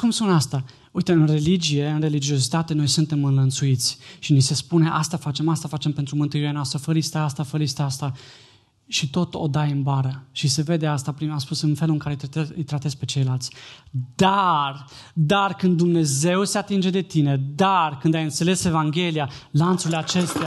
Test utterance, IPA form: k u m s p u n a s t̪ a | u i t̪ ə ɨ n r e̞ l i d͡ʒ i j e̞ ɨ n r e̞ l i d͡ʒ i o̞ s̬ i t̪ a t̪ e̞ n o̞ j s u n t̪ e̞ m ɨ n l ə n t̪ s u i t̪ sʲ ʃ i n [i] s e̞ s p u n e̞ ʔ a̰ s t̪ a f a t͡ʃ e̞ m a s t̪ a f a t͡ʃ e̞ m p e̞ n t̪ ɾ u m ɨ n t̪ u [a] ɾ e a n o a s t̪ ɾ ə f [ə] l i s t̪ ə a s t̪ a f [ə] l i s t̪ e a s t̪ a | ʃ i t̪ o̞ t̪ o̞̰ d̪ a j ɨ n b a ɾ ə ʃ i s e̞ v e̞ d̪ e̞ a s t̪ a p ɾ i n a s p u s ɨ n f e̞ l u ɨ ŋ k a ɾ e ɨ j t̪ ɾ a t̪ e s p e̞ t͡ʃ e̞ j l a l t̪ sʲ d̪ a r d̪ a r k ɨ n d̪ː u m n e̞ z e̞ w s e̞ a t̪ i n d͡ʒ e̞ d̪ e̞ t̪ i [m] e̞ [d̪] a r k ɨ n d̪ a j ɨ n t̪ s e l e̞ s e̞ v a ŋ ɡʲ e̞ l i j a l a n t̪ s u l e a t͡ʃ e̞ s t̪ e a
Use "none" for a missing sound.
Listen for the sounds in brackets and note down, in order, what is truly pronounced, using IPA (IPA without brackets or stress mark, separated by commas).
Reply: i, i, ə, ə, n, d̪